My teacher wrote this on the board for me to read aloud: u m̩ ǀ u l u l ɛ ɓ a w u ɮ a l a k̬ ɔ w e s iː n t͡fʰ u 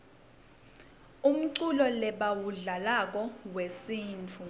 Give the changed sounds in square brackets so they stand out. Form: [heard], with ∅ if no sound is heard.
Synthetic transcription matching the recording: u m̩ ǀ u l [ɔ] l ɛ ɓ a w u ɮ a l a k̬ ɔ w e s iː n t͡fʰ u